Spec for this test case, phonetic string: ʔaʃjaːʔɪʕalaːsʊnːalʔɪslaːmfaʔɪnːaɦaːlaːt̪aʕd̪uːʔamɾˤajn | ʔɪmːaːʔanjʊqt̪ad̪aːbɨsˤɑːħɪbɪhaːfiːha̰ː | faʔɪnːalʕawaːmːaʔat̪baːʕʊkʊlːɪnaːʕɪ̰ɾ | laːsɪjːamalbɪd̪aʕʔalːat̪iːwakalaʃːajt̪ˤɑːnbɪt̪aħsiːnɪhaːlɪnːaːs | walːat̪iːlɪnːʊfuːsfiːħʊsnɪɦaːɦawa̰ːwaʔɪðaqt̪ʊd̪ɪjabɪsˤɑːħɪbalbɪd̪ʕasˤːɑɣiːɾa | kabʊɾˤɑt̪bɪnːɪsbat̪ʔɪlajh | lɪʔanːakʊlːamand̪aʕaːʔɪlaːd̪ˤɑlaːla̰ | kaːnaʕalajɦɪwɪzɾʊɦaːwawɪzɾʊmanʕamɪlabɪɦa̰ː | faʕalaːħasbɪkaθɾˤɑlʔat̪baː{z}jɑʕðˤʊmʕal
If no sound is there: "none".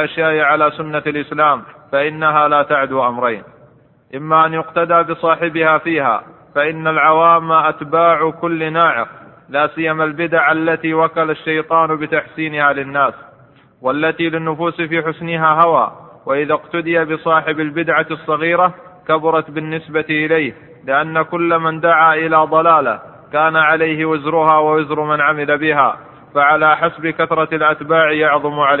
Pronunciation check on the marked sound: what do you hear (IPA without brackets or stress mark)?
ʕ